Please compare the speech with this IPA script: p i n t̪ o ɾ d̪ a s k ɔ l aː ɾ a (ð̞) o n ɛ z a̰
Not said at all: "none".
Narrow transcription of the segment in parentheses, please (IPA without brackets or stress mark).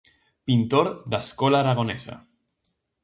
ɣ̞